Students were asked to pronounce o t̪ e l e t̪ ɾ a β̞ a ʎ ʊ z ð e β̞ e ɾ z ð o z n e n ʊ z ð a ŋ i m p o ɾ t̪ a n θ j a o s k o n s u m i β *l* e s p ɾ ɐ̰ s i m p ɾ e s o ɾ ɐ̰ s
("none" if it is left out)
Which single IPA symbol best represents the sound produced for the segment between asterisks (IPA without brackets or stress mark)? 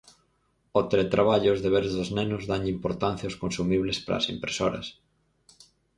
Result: l